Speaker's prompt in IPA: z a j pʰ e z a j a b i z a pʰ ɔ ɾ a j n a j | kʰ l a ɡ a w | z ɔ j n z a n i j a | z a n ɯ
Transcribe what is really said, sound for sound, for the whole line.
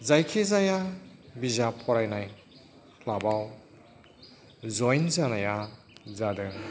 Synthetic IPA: z a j kʰ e z a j a b i z a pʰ ɔ ɾ a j n a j | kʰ l a b a w | z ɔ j n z a n a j a | z a d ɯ